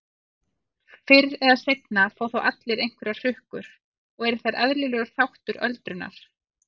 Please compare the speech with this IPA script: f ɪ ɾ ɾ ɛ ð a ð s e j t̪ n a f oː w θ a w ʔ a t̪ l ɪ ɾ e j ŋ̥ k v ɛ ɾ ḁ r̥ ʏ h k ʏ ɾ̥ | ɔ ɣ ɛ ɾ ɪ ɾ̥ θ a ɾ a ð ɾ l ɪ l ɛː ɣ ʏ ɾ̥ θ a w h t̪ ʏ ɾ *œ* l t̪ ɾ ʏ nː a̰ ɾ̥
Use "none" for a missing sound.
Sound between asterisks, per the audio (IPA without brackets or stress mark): œ